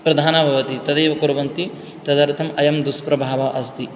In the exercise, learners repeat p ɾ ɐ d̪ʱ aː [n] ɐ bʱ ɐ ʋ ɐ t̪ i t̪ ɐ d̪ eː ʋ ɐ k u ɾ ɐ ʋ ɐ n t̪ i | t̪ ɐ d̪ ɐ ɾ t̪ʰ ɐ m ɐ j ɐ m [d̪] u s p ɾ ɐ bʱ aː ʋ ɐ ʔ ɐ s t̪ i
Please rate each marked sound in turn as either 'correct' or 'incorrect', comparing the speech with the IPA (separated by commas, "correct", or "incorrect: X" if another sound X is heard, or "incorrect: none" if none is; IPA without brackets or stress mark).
correct, correct